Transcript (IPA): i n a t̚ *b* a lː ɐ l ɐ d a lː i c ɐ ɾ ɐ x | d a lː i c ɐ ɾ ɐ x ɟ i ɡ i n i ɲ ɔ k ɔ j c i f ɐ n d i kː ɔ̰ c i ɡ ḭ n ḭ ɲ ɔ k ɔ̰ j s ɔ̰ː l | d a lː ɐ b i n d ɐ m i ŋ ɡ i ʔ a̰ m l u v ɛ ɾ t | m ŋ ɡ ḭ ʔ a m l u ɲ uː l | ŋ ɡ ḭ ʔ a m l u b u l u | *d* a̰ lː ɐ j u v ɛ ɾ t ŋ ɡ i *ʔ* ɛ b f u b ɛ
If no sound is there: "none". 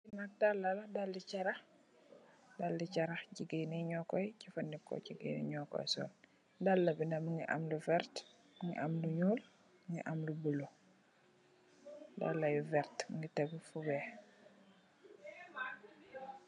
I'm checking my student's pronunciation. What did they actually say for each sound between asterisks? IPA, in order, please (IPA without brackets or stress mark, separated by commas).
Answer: d, d, t